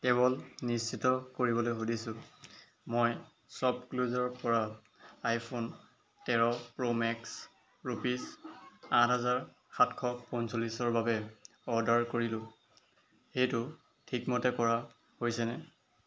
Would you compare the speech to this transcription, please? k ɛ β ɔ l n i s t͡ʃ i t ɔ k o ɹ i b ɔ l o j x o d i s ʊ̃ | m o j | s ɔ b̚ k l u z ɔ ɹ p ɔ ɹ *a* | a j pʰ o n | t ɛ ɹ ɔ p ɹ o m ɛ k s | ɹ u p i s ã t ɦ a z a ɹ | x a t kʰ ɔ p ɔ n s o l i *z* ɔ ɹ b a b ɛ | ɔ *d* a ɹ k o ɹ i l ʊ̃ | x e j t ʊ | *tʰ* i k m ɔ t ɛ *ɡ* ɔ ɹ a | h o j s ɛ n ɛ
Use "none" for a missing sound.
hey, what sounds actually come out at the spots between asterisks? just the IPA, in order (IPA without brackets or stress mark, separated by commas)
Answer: a, s, d, tʰ, k